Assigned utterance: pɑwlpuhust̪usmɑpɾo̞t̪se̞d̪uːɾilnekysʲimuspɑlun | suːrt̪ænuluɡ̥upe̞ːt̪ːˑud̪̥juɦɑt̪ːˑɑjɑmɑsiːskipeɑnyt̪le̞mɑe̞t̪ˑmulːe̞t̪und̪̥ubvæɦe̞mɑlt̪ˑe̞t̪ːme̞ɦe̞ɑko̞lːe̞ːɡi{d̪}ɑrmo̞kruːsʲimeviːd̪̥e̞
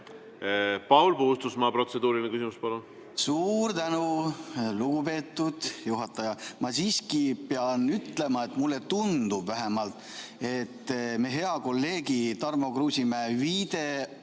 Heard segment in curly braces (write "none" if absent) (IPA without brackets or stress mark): t̪